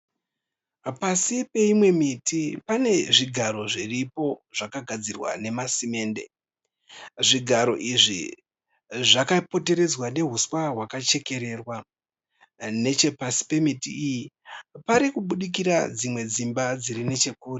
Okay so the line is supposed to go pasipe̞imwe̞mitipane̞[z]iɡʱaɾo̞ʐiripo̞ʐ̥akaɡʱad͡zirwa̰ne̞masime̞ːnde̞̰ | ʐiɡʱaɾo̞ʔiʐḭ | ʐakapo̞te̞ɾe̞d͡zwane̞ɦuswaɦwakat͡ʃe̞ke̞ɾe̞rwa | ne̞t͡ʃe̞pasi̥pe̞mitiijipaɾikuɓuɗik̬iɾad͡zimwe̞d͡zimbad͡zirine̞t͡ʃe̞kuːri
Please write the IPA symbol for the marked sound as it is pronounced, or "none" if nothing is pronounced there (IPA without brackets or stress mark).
ʐ